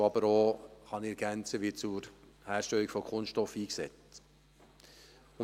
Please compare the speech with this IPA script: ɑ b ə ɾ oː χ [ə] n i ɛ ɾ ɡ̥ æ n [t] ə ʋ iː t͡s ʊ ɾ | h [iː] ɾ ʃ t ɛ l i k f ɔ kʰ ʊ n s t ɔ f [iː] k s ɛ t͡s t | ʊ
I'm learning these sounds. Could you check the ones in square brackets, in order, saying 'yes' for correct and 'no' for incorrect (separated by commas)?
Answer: no, no, no, yes